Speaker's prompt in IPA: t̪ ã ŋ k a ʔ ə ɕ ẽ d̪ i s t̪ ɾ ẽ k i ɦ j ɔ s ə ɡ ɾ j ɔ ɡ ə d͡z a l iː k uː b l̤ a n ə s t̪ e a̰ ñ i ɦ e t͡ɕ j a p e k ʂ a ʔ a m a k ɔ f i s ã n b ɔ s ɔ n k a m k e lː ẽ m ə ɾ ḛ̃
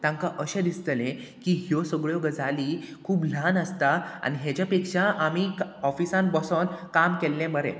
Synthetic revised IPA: t̪ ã ŋ k a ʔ ə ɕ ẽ d̪ i s t̪ l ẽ k i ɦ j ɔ s ə ɡ ɭ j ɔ ɡ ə d͡z a l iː kʰ uː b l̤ a n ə s t̪ a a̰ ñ i ɦ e t͡ɕ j a p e k ʂ a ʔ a m i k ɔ f i s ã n b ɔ s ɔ n k a m k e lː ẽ m ə ɾ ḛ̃

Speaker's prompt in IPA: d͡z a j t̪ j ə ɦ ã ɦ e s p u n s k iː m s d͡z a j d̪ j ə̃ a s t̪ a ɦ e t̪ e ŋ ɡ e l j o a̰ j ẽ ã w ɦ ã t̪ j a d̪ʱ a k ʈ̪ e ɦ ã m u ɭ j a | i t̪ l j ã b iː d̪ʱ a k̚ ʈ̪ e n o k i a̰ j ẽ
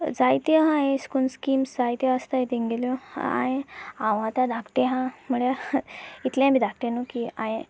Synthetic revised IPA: d͡z a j t̪ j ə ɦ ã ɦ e s k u n s k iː m s d͡z a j t̪ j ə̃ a s t̪ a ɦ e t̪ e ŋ ɡ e l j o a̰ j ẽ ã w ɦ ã t̪ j a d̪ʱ a k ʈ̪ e ɦ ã m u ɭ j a | i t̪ l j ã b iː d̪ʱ a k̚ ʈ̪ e n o k i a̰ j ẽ

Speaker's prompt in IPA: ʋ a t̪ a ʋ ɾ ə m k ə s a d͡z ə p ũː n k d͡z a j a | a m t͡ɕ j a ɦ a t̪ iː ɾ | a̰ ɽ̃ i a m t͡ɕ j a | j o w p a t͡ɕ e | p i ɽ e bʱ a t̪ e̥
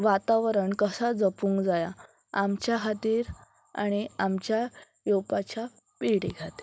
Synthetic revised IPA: ʋ a t̪ a ʋ ɾ ə ɳ k ə s a d͡z ə p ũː ŋ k d͡z a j a | a m t͡ɕ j a ɦ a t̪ iː ɾ | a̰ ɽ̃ i a m t͡ɕ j a | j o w p a t͡ɕ a | p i ɽ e ɡʱ a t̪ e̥

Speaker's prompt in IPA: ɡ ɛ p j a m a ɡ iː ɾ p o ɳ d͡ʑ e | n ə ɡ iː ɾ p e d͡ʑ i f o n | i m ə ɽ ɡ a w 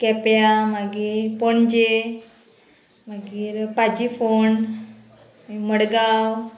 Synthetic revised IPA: k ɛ p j a m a ɡ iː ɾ p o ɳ d͡ʑ e | m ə ɡ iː ɾ p a d͡ʑ i f o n | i m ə ɽ ɡ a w

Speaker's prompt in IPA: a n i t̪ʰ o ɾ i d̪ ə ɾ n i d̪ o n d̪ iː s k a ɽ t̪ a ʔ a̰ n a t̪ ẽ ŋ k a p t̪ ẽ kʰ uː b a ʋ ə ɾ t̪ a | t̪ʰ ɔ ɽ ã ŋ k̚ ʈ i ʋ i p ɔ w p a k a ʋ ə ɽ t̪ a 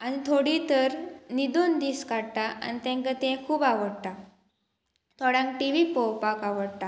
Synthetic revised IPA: a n i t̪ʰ o ɽ i t̪ ə ɾ n i d̪ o n d̪ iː s k a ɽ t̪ a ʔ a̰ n i t̪ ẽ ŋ k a t̪ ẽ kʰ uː b a ʋ ə ɽ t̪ a | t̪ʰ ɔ ɽ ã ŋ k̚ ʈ i ʋ i p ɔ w p a k a ʋ ə ɽ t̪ a

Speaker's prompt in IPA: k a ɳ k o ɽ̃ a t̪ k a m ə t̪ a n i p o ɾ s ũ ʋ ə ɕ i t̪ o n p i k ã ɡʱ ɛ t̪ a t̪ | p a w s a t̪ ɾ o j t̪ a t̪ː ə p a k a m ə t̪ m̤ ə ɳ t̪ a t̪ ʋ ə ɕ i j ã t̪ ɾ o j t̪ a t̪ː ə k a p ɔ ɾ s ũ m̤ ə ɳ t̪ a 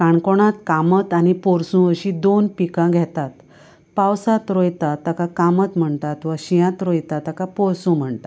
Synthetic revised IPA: k a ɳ k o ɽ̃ a t̪ k a m ə t̪ a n i p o ɾ s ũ ʋ ə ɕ i d̪ o n p i k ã ɡʱ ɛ t̪ a t̪ | p a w s a t̪ ɾ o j t̪ a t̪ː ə k a k a m ə t̪ m̤ ə ɳ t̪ a t̪ ʋ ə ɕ i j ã t̪ ɾ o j t̪ a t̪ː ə k a p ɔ ɾ s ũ m̤ ə ɳ t̪ a

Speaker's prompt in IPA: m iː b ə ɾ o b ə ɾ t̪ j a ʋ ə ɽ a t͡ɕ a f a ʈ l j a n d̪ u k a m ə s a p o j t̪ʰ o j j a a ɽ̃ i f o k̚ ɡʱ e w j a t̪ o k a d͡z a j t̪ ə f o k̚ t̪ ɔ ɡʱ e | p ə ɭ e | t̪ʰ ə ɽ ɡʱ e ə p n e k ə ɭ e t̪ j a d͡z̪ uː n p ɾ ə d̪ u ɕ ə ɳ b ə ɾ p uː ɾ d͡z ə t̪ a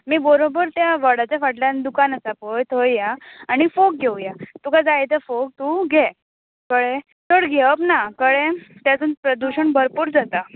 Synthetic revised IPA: m iː b ə ɾ o b ə ɾ t̪ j a ʋ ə ɽ a t͡ɕ a f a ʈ l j a n d̪ u k a n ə s a p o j t̪ʰ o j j a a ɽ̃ i f o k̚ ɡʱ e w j a t̪ u k a d͡z a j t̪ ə f o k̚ t̪ u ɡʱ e | k ə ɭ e | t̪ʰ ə ɽ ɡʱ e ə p n a k ə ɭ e t̪ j a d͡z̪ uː n p ɾ ə d̪ u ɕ ə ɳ b ə ɾ p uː ɾ d͡z a t̪ a

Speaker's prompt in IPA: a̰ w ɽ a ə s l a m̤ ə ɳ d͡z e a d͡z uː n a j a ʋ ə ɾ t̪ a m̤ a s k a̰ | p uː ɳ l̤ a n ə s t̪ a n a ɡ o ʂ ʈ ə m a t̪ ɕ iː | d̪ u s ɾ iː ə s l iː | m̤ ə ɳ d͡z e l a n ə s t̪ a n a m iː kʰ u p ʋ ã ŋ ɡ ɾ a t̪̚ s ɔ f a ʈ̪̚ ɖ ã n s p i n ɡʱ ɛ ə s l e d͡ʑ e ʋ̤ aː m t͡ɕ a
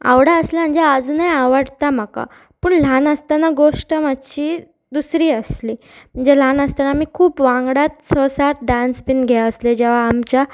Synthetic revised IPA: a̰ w ɽ a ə s l a m̤ ə ɳ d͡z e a d͡z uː n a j a ʋ ə ɽ t̪ a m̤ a k a̰ | p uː ɳ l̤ a n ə s t̪ a n a ɡ o ʂ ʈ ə m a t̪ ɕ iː | d̪ u s ɾ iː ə s l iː | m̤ ə ɳ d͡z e l a n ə s t̪ a n a m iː kʰ uː p ʋ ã ŋ ɡ ɽ a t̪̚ s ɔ s a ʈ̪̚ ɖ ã n s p i n ɡʱ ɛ ə s l e d͡ʑ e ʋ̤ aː m t͡ɕ a

